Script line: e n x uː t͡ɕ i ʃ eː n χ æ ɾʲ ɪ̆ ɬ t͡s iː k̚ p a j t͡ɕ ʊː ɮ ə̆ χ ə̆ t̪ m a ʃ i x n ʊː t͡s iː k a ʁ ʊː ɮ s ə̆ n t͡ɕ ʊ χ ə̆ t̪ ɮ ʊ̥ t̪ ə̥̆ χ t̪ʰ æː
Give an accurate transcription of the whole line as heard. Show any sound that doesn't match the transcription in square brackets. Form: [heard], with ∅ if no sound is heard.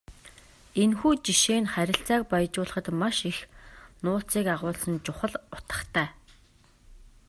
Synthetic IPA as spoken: e n x uː t͡ɕ i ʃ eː n χ æ ɾʲ ɪ̆ ɬ t͡s [aː] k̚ p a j t͡ɕ ʊː ɮ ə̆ χ ə̆ t̪ m a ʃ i x n ʊː t͡s iː k a ʁ ʊː ɮ s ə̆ n t͡ɕ ʊ χ ə̆ [∅] ɮ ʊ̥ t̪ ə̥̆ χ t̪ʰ æː